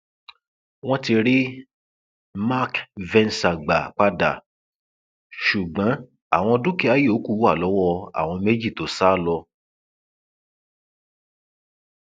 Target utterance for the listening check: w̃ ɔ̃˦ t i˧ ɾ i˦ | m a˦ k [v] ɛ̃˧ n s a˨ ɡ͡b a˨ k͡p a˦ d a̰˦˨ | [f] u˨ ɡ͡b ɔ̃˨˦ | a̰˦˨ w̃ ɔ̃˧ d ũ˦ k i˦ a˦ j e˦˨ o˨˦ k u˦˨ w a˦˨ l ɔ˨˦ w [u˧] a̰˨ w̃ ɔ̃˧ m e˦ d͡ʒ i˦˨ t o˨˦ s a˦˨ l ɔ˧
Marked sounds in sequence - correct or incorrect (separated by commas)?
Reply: correct, incorrect, incorrect